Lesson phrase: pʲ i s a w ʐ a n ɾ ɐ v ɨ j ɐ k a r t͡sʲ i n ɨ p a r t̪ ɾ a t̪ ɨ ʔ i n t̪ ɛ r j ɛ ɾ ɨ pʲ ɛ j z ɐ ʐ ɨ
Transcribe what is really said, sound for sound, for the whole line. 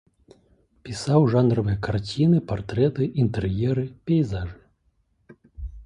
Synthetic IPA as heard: pʲ i s a w ʐ a n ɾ ɐ v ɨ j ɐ k a r t͡sʲ i n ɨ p a r t̪ ɾ ɛ t̪ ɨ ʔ i n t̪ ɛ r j ɛ ɾ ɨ pʲ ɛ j z a ʐ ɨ